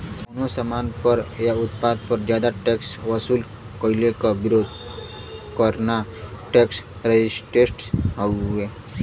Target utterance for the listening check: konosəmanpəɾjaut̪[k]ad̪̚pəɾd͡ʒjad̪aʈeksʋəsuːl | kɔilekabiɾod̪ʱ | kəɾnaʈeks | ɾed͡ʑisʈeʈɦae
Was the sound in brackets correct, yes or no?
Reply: no